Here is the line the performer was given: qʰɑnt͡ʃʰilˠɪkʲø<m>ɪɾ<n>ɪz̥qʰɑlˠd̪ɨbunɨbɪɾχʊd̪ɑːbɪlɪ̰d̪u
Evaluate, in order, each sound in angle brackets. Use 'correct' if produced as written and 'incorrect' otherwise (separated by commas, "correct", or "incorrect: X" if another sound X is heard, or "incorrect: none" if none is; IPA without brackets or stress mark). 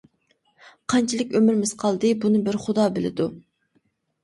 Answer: correct, incorrect: m